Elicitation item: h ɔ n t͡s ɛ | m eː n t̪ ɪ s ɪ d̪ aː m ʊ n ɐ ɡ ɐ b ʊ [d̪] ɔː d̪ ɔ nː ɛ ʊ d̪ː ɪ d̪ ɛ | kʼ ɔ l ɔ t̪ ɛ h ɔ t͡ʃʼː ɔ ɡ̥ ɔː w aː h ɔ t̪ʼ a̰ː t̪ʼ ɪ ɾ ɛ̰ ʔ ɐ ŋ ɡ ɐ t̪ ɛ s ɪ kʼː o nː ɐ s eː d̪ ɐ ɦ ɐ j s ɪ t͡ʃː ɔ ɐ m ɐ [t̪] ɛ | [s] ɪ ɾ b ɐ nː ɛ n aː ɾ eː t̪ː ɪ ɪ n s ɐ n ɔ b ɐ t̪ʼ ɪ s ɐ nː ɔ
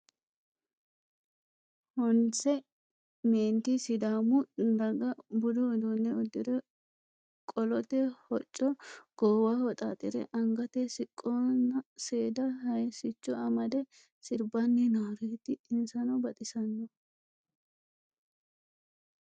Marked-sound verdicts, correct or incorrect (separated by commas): correct, incorrect, correct